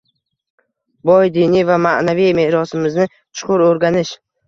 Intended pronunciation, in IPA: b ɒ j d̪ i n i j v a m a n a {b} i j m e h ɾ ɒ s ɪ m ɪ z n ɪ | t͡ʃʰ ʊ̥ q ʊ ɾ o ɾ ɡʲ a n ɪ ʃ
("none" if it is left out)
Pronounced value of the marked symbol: v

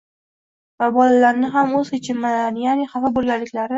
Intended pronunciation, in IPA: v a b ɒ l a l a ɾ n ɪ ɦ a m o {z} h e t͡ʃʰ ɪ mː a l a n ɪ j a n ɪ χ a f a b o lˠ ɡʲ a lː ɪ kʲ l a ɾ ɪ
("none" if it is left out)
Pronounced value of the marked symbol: z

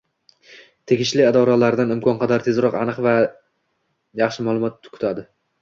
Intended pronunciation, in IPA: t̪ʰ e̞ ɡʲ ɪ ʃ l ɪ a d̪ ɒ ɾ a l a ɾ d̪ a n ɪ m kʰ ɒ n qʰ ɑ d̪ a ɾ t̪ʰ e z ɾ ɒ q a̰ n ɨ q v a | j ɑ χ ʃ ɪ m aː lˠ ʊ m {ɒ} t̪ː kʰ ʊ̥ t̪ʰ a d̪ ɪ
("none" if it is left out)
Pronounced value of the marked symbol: ɒ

